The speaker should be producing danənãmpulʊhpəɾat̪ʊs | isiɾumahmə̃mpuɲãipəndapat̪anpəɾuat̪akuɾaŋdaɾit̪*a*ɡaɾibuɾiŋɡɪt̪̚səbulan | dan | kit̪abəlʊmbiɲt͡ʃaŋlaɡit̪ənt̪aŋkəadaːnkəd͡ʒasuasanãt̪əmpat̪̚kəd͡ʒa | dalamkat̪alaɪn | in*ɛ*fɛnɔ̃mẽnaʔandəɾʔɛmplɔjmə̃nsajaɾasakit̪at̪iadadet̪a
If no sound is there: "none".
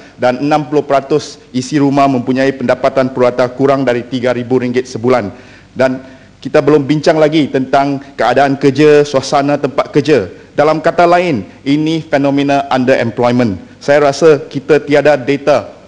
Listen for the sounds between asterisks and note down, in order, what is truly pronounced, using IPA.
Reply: i, i

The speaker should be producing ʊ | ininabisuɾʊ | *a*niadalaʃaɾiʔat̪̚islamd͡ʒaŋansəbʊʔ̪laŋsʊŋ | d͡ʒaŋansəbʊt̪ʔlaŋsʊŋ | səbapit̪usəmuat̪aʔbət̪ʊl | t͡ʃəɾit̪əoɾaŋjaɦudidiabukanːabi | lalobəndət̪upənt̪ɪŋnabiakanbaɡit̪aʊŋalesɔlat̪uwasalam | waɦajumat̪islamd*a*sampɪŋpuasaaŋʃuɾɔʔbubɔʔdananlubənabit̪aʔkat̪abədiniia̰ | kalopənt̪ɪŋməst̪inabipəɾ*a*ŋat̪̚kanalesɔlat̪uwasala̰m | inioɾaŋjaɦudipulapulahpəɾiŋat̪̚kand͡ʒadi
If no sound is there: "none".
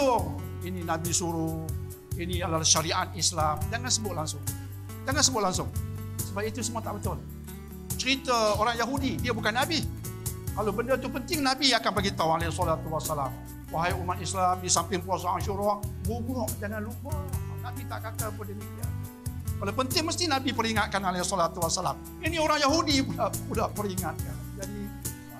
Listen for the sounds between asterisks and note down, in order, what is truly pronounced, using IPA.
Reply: i, i, i

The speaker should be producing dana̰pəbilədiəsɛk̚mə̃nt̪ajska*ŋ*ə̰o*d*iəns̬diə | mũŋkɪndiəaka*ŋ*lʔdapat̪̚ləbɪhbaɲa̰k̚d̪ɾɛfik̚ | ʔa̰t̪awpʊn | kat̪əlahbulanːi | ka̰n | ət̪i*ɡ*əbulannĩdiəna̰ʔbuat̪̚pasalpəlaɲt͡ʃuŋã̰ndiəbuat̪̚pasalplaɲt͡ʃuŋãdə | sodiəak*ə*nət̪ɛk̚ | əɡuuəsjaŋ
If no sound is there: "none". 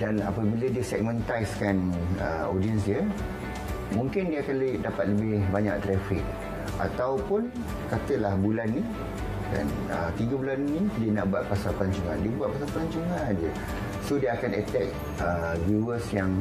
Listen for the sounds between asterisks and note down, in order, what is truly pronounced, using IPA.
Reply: n, d, n, ɡ, a

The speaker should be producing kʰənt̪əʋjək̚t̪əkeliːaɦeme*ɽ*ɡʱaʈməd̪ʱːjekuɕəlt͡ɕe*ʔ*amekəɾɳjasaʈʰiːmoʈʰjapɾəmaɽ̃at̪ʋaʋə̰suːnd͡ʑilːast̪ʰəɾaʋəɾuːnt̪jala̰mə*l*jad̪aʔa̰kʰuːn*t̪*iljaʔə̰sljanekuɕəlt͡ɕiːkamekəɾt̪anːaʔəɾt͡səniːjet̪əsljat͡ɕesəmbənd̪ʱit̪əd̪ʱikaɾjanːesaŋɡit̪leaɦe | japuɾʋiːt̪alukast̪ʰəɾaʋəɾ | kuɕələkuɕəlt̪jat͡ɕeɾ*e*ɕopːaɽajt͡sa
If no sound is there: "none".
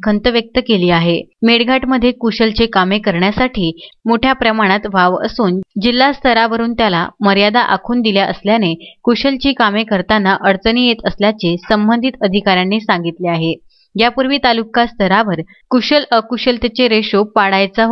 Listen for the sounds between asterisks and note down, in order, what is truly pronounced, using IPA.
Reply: ɽ, k, ɾ, d̪, e

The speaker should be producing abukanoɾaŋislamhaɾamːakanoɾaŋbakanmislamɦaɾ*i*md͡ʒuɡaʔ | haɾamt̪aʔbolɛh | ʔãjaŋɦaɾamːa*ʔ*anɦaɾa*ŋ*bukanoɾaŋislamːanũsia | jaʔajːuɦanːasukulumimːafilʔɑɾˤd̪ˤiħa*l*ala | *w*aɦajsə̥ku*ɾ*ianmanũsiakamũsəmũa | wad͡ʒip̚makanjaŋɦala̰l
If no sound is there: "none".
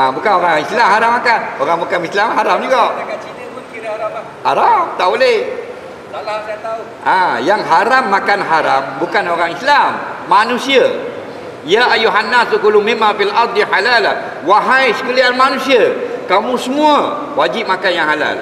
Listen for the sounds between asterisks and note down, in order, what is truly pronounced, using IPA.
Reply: a, k, m, l, w, l

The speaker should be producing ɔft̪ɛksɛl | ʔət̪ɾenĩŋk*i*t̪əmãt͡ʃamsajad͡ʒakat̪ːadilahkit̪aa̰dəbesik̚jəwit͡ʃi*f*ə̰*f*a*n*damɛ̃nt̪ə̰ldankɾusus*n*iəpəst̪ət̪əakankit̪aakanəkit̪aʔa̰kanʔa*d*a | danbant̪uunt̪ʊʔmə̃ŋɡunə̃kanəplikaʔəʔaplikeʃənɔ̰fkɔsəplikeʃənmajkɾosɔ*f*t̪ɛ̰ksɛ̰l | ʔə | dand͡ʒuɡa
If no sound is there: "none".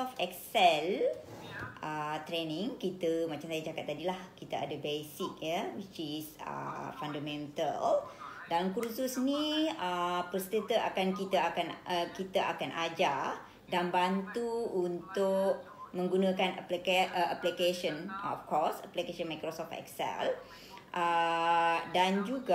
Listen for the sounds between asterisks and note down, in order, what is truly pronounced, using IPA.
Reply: i, s, f, n, n, d͡ʒ, f

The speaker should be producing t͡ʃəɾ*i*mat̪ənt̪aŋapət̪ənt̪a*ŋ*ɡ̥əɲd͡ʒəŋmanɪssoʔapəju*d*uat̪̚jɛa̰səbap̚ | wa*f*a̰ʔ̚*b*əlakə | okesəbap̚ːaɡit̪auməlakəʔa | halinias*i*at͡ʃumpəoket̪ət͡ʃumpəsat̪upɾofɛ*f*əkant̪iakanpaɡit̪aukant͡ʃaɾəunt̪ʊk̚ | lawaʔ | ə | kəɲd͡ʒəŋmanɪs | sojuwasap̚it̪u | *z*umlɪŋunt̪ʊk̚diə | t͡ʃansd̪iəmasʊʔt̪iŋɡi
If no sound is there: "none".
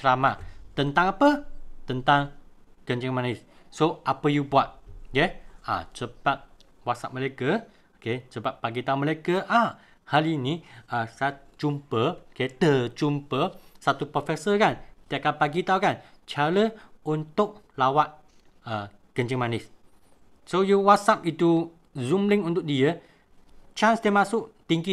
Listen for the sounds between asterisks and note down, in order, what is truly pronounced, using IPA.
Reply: a, ŋ, b, s, m, a, s, z

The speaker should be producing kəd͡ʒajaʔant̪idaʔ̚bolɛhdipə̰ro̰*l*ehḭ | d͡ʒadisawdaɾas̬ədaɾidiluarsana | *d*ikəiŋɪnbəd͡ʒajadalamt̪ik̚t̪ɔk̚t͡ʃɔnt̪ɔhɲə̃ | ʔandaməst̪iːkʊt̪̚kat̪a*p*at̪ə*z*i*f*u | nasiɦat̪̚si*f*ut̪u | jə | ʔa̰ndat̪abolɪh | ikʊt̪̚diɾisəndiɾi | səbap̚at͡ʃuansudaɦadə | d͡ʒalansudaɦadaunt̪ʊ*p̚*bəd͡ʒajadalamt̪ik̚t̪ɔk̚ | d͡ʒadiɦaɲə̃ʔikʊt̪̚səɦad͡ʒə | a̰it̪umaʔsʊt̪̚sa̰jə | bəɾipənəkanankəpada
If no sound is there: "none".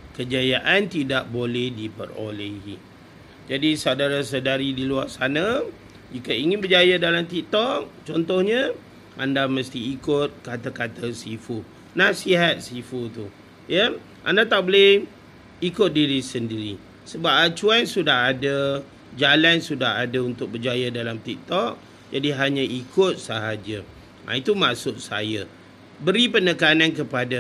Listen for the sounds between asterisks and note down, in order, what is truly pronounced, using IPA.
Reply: l, d͡ʒ, k, s, f, f, k̚

